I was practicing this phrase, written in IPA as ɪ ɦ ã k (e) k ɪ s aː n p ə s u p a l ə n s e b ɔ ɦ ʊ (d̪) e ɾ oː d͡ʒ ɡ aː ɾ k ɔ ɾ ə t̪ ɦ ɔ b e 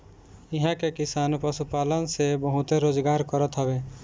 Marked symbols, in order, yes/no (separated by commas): yes, no